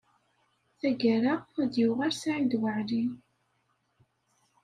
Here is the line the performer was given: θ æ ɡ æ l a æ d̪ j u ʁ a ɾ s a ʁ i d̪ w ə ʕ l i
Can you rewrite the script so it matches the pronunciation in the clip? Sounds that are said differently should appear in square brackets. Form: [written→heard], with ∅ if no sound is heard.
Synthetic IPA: θ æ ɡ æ [l→ɾ] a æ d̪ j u ʁ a ɾ s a [ʁ→ʕ] i d̪ w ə ʕ l i